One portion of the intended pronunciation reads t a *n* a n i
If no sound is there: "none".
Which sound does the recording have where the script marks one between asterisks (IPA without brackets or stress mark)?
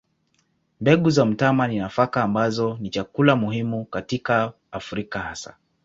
m